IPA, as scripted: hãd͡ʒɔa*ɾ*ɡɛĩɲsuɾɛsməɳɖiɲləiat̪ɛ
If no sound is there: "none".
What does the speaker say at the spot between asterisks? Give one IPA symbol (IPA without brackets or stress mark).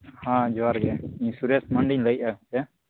ɾ